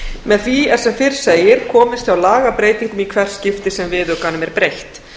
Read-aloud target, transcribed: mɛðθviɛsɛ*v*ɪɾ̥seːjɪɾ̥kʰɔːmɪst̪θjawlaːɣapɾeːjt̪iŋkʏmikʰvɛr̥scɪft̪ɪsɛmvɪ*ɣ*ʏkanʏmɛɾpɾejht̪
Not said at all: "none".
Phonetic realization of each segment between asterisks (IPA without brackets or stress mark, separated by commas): f, ð